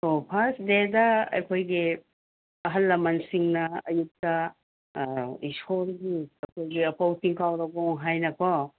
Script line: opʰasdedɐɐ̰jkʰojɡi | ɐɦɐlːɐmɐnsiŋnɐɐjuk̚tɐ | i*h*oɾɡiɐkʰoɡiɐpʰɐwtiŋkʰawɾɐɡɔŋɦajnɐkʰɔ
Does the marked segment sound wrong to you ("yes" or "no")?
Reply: yes